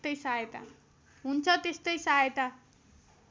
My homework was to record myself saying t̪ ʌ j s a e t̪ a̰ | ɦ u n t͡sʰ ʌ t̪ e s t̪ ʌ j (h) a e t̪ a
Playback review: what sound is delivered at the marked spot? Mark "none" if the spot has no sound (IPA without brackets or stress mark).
s